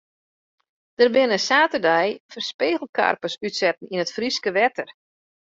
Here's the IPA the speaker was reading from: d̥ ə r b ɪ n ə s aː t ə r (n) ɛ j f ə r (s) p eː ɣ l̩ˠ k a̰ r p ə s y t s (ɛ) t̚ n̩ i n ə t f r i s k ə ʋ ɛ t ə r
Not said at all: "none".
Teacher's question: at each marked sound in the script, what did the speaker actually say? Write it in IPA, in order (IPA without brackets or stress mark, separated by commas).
d, s, ɛ